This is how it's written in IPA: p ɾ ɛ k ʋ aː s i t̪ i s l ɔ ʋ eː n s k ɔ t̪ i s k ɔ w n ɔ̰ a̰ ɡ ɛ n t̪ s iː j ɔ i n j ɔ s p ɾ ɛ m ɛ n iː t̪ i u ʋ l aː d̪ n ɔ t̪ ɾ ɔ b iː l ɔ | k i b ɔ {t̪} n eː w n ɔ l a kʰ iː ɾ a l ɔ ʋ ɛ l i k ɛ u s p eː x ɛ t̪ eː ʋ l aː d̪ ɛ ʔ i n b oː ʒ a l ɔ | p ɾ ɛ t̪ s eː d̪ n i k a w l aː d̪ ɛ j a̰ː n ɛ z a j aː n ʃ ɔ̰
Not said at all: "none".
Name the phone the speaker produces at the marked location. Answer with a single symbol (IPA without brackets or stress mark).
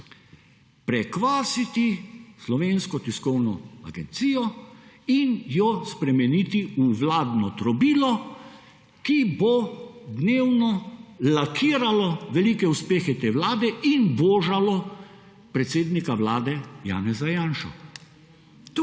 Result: d̪